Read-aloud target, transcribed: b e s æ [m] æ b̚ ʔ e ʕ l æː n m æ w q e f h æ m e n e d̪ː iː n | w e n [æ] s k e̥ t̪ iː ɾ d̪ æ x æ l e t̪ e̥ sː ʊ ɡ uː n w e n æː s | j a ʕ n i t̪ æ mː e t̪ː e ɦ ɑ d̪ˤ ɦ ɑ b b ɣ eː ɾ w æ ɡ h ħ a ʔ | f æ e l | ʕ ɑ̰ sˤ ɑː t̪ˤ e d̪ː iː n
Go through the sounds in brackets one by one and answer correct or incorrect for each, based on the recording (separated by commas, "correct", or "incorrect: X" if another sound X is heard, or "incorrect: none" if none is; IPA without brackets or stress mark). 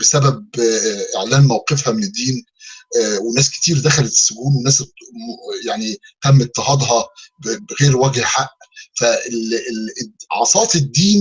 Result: incorrect: b, incorrect: æː